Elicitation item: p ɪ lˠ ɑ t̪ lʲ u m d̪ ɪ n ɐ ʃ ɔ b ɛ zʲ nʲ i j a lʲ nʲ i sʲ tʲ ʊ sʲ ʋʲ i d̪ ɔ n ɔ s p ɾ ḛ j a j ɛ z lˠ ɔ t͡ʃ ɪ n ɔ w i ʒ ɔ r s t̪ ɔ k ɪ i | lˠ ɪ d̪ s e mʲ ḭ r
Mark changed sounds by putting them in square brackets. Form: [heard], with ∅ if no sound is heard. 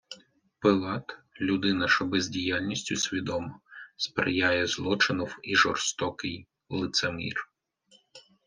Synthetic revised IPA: p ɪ lˠ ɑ t̪ lʲ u [∅] d̪ ɪ n ɐ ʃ ɔ b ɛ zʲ [dʲ] i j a lʲ nʲ i sʲ tʲ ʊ sʲ ʋʲ i d̪ ɔ [m] ɔ s p ɾ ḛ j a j ɛ z lˠ ɔ t͡ʃ ɪ n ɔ w i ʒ ɔ r s t̪ ɔ k ɪ [j] | lˠ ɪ [t̪] s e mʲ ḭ r